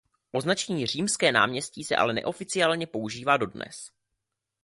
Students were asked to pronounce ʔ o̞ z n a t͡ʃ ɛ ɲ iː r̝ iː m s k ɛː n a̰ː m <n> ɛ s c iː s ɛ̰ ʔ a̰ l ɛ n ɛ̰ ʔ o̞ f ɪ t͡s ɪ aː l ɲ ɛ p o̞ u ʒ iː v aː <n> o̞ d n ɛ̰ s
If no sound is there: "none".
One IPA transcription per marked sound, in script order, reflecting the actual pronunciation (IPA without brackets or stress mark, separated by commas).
ɲ, d